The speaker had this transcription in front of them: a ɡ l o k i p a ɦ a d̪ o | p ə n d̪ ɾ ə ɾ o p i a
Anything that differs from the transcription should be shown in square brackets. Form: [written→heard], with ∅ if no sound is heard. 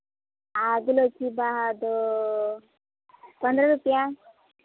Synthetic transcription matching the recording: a ɡ l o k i [p→b] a ɦ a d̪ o | p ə n d̪ ɾ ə ɾ [o→u] p [i→j] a